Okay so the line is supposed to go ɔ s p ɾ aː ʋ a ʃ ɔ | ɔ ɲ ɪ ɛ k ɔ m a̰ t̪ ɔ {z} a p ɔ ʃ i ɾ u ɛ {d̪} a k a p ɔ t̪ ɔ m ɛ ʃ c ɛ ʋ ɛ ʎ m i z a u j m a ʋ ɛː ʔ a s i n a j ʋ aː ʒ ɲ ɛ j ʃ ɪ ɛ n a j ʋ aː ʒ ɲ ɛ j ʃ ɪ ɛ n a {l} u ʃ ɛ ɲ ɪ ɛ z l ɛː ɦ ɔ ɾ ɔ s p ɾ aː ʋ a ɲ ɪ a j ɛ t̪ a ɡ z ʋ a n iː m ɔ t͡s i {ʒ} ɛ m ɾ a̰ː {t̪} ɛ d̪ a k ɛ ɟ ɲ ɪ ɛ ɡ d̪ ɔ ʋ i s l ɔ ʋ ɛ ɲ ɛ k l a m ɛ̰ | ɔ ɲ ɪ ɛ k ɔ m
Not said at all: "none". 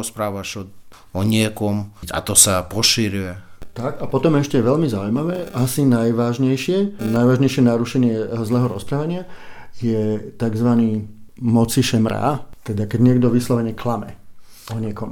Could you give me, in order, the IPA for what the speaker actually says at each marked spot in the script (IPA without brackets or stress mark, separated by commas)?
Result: s, t̪, ɾ, ʃ, t̪